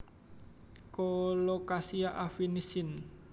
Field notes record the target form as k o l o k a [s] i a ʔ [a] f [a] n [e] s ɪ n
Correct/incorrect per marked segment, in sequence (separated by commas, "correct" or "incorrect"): correct, correct, incorrect, incorrect